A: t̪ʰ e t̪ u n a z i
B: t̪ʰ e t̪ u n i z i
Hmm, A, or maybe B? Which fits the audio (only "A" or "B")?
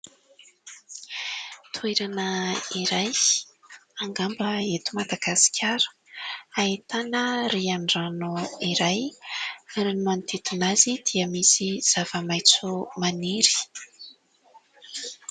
A